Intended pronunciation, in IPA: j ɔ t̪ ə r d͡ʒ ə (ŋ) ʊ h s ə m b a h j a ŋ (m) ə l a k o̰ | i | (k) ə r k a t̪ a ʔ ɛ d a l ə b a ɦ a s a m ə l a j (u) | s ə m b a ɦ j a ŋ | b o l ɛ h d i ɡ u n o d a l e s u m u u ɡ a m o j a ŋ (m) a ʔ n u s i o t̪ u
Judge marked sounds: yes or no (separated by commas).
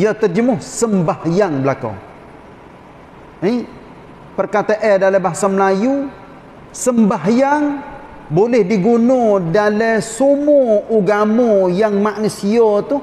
no, no, no, yes, yes